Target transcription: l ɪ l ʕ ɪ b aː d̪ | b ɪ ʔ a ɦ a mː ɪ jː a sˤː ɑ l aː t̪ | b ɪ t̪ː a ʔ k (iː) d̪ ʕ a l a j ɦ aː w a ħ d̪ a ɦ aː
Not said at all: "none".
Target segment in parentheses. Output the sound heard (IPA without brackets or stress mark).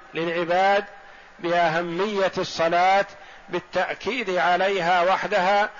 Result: iː